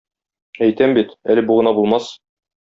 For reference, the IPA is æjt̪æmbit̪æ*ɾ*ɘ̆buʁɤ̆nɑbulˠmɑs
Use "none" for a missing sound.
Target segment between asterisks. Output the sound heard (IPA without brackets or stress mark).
l